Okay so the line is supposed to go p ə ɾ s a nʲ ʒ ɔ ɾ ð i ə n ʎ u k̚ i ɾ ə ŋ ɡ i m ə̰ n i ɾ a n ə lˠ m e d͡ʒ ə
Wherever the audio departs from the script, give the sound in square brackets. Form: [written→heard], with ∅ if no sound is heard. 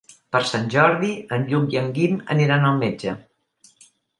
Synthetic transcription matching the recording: p ə ɾ s a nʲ ʒ ɔ ɾ ð i ə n ʎ u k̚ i [ɾ→∅] ə ŋ ɡ i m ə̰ n i ɾ a n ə lˠ m e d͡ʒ ə